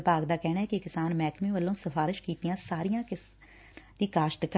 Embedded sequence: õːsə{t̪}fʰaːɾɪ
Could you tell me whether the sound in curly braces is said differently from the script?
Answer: yes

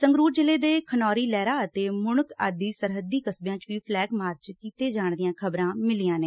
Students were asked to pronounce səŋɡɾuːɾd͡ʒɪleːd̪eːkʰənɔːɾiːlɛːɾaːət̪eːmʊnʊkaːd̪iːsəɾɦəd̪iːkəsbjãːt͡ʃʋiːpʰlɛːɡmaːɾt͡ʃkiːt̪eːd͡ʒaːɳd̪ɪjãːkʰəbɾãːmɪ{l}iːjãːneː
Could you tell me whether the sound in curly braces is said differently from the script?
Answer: no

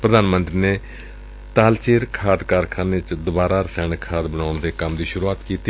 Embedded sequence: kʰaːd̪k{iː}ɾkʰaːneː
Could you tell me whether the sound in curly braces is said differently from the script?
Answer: yes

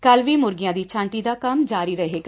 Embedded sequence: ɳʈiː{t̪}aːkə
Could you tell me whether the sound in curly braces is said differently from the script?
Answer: yes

